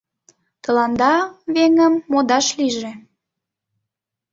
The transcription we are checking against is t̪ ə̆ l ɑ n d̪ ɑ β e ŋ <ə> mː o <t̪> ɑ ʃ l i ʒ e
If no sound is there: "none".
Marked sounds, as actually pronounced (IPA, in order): ə, d̪

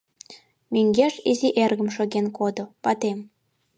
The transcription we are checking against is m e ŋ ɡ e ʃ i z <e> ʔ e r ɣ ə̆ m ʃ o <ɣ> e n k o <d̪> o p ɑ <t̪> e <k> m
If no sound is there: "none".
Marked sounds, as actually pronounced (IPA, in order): i, ɣ, d̪, t̪, none

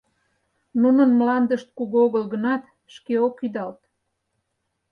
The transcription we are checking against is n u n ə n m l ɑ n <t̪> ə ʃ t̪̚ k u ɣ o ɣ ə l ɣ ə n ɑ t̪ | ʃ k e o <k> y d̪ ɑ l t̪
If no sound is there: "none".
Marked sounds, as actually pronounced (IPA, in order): d̪, k

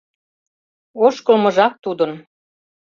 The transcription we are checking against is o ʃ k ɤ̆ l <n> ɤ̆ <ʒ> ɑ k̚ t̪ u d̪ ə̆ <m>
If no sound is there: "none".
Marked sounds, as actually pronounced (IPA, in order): m, ʒ, n

